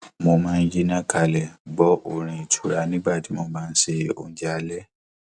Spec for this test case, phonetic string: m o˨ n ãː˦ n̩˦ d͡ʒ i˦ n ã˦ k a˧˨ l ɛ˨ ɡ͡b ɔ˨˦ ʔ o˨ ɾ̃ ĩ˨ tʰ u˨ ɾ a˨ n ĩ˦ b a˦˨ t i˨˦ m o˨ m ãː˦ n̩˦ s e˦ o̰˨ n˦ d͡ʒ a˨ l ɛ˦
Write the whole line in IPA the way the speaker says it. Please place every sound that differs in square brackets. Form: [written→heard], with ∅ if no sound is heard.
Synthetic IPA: m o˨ [n→m] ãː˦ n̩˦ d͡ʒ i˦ n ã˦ k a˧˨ l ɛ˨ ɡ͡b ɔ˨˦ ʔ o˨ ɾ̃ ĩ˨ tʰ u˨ ɾ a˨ n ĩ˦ b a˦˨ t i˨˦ m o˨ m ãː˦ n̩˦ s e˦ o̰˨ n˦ d͡ʒ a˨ l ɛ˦